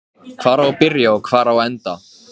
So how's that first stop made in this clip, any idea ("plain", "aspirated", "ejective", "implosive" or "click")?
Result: aspirated